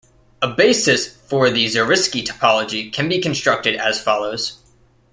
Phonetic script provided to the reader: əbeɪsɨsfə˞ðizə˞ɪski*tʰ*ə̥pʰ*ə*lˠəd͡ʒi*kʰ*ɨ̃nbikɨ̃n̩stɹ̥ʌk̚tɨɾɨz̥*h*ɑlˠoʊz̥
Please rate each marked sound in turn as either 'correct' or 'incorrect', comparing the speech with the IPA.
correct, incorrect, correct, incorrect

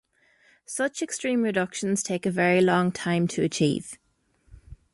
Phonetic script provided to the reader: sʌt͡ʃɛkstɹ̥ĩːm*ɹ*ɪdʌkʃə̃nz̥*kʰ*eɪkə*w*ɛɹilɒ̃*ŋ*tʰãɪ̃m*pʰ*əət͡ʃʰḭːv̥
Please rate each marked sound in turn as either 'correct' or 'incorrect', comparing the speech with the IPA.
correct, incorrect, incorrect, correct, incorrect

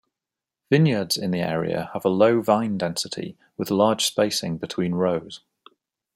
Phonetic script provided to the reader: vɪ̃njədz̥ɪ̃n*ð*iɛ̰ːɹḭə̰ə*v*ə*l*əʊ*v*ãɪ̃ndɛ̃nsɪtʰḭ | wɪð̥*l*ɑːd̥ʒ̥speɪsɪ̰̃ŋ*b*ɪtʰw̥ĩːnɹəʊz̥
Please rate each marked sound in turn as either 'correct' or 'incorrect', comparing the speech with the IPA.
correct, correct, correct, correct, correct, correct

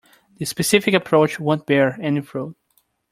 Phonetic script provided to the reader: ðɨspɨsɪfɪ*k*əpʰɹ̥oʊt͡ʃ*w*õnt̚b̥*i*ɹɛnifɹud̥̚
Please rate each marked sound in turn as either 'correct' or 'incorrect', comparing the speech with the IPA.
correct, correct, incorrect

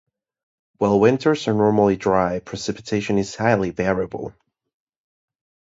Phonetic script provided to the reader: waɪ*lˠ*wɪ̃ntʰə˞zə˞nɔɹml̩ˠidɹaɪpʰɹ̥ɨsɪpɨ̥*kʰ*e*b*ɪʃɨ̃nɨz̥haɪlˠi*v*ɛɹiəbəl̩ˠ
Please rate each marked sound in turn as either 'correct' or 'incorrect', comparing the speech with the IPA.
correct, incorrect, incorrect, correct

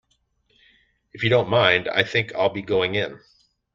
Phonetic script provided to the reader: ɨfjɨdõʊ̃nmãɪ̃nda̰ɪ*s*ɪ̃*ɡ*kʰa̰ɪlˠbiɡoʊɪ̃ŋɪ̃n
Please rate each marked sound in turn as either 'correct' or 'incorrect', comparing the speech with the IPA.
incorrect, incorrect

